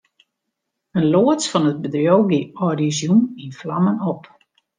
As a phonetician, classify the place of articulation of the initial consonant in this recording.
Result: alveolar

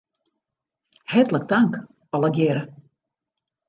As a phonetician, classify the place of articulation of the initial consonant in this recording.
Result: glottal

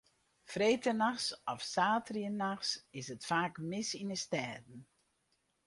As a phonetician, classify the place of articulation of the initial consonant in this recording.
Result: labial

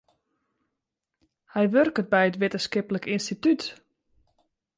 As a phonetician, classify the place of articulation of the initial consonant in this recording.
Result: glottal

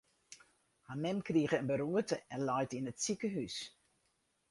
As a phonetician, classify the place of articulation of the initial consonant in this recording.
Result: glottal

